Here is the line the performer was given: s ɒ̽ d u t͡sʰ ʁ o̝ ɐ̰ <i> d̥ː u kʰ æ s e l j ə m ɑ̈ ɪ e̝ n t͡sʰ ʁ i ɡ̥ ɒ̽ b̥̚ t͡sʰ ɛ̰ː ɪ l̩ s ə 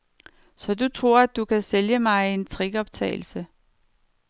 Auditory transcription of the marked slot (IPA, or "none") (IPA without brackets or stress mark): æ